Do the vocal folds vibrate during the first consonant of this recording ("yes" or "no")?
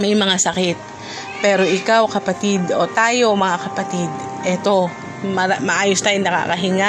yes